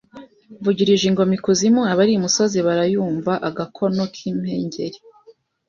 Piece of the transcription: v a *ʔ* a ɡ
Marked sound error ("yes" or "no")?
no